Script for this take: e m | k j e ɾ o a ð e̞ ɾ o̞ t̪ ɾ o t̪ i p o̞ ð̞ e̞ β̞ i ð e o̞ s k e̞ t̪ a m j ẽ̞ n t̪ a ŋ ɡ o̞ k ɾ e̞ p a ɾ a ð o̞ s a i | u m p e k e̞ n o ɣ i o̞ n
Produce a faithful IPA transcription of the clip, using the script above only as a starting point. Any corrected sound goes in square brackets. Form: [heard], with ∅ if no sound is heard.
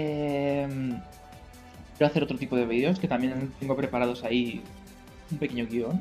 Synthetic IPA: e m | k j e ɾ o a [θ] e̞ ɾ o̞ t̪ ɾ o t̪ i p o̞ ð̞ e̞ β̞ i ð e o̞ s k e̞ t̪ a m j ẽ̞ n t̪ [e] ŋ ɡ o̞ [p] ɾ e̞ p a ɾ a ð o̞ s a i | u m p e k e̞ [ɲ] o ɣ i o̞ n